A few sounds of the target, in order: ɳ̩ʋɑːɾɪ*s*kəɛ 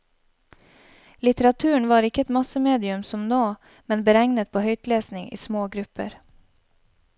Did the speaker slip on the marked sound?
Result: yes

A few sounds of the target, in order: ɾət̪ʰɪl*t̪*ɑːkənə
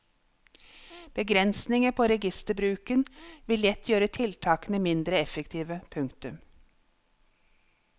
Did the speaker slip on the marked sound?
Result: yes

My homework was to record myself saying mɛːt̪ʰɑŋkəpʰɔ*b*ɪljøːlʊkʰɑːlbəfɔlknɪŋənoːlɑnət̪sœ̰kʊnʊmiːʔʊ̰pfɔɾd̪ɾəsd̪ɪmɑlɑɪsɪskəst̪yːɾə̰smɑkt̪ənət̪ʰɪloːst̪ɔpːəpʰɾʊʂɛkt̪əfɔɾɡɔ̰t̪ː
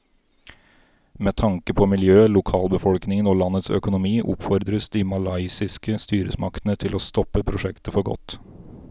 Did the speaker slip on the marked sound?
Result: yes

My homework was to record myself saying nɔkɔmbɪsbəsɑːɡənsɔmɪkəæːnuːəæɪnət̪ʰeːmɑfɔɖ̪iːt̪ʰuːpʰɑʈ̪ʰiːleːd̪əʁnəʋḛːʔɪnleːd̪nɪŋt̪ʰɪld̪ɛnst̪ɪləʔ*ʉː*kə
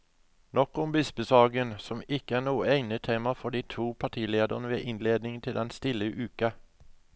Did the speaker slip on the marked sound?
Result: no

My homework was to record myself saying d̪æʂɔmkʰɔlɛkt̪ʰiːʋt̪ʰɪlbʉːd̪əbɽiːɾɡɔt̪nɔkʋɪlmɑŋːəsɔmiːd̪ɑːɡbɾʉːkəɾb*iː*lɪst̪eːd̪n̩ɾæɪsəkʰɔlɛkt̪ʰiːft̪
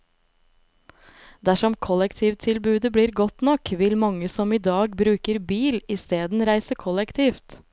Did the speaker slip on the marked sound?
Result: no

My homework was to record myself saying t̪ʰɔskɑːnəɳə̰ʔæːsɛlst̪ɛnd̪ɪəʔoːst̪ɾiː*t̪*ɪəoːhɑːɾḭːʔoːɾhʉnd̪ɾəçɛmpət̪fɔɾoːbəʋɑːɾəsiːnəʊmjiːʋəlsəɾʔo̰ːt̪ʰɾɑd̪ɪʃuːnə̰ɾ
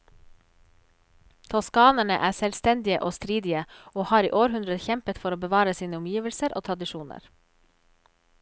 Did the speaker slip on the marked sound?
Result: yes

